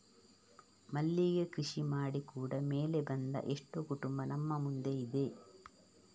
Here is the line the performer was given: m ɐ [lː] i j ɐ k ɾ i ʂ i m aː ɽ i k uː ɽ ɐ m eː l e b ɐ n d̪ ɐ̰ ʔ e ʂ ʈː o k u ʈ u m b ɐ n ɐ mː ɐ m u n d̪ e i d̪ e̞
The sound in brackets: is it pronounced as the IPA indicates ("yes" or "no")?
yes